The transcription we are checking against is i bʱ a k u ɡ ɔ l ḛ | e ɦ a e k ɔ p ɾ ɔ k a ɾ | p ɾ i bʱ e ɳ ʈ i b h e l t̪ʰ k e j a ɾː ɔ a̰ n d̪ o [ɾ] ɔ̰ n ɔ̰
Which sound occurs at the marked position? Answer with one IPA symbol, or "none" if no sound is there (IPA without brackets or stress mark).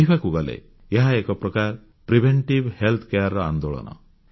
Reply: ɭ